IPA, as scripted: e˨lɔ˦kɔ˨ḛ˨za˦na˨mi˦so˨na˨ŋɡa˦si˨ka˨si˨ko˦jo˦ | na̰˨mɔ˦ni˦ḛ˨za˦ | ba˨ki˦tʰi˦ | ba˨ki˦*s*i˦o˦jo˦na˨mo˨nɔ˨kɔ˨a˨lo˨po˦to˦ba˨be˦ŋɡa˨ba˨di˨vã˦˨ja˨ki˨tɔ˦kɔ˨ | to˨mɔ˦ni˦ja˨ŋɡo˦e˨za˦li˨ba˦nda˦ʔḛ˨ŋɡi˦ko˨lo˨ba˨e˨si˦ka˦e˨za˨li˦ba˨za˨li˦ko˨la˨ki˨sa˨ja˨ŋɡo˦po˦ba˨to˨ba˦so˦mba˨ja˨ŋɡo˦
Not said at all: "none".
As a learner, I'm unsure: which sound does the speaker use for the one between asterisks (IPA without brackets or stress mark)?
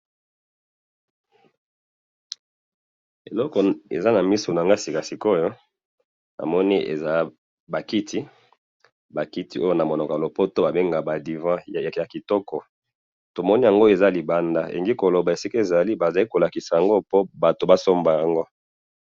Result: t